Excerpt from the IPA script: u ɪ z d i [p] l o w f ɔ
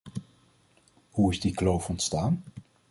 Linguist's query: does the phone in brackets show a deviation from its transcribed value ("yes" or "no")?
yes